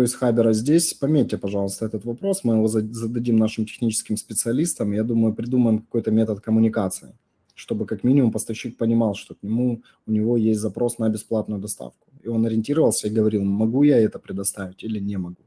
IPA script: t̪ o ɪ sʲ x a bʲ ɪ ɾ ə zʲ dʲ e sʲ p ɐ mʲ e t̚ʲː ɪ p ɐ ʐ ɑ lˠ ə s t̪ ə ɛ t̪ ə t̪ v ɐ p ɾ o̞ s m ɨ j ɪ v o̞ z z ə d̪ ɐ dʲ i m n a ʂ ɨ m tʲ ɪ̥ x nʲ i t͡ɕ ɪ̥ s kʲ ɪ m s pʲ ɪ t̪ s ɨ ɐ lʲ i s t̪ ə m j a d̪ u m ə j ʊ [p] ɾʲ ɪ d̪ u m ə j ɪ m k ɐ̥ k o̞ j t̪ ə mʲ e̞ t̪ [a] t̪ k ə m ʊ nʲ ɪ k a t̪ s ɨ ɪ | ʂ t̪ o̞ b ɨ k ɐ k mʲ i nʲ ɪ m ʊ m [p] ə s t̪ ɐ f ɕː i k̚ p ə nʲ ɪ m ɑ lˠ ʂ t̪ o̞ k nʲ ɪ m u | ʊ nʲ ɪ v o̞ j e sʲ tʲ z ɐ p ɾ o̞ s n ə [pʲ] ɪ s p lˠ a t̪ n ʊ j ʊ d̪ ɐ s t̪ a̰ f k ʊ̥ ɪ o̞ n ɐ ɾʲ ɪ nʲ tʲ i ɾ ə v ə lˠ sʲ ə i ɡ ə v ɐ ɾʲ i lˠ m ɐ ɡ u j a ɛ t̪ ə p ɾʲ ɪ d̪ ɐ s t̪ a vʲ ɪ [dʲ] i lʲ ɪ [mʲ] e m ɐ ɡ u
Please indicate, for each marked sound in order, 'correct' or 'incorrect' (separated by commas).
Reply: correct, incorrect, correct, incorrect, incorrect, incorrect